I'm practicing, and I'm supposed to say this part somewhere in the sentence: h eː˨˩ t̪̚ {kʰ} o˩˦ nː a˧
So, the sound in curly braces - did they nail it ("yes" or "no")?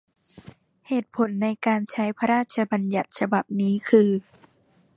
no